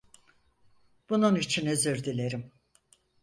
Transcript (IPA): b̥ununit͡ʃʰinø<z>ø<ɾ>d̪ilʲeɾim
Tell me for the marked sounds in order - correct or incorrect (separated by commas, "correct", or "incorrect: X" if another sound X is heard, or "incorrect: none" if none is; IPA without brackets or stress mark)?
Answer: correct, correct